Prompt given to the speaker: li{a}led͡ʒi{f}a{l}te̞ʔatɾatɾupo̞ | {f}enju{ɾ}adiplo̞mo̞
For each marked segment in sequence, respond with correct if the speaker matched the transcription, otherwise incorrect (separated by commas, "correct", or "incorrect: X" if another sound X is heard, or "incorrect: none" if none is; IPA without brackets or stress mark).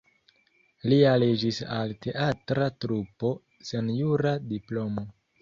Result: correct, incorrect: s, correct, incorrect: s, correct